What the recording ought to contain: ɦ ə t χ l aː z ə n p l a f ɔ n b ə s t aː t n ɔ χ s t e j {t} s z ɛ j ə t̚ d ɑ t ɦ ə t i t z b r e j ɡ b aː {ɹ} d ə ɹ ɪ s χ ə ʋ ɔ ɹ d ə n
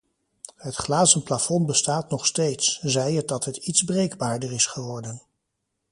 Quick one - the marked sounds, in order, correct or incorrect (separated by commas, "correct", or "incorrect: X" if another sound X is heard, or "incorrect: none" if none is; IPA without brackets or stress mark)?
correct, correct